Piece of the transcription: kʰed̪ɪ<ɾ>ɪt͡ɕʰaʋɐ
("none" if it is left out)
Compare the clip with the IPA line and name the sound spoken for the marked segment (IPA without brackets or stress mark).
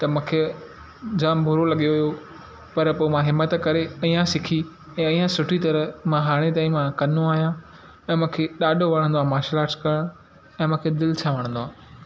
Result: l